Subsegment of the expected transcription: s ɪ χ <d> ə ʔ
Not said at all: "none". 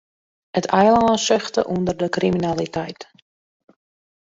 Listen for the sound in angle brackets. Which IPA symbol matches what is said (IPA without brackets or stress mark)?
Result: t